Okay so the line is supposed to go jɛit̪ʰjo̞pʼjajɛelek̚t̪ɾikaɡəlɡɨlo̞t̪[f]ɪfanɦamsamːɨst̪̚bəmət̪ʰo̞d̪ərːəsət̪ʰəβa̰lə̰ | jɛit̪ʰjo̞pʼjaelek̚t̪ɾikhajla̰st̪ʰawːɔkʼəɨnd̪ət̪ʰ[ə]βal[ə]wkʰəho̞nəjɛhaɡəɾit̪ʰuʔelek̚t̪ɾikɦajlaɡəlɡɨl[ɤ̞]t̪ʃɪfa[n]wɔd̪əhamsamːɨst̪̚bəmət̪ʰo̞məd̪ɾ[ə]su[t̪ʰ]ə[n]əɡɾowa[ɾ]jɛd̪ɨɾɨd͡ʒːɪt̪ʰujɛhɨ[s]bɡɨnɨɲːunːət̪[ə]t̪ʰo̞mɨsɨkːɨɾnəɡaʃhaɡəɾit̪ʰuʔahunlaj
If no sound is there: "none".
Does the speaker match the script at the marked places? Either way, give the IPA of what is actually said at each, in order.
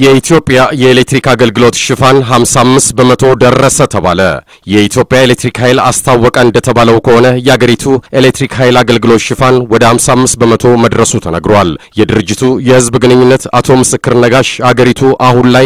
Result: ʃ, ə, ə, o̞, n, ə, t̪ʰ, n, l, z, a

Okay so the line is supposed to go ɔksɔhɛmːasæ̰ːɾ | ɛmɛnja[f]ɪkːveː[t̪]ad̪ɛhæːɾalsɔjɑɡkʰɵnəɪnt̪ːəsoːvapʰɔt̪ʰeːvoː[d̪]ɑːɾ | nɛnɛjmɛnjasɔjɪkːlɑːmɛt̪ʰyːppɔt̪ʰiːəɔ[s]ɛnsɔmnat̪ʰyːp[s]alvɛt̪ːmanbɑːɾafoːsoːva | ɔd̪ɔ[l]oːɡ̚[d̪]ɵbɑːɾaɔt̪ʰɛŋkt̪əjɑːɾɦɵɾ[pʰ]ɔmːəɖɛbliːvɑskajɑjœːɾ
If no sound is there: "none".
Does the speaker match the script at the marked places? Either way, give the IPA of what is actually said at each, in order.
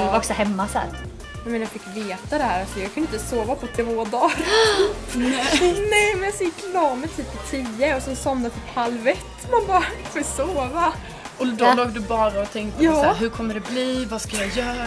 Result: f, t̪, d̪, s, h, l, d̪, kʰ

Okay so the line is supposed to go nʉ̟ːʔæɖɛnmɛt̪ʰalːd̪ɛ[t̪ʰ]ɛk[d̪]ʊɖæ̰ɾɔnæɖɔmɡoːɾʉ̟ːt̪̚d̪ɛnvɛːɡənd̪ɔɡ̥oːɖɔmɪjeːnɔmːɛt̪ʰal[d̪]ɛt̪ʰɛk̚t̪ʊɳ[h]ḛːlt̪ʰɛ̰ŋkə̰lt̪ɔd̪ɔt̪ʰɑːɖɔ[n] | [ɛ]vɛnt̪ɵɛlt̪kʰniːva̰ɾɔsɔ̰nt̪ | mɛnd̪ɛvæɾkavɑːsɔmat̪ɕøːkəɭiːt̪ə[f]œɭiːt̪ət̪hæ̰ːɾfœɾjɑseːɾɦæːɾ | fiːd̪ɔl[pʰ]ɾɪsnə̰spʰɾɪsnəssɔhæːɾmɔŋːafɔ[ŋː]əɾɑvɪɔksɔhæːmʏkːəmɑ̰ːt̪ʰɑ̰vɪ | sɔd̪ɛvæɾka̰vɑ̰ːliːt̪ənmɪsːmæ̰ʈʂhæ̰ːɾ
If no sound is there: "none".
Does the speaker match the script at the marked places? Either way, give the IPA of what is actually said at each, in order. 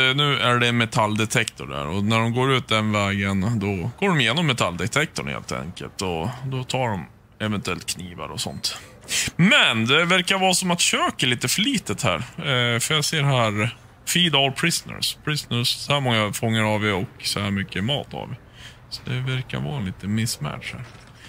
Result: t̪ʰ, t̪, d̪, h, m, ɛ, f, pʰ, ŋː

